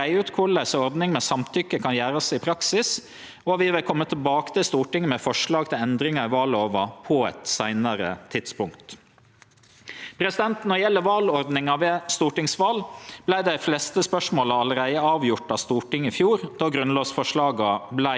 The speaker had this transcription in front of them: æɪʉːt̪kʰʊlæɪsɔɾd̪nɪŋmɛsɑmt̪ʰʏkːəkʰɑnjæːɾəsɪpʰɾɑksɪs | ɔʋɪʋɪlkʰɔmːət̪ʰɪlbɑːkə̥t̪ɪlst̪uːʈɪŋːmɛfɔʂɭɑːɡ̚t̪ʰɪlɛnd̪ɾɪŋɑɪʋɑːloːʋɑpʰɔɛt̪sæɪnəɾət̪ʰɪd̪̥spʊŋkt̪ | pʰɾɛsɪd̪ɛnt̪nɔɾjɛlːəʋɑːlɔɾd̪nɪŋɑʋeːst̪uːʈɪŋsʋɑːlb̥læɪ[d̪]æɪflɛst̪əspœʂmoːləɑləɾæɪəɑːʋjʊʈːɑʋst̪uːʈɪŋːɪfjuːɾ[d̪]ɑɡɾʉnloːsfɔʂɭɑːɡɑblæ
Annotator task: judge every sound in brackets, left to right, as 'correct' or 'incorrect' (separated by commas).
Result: correct, correct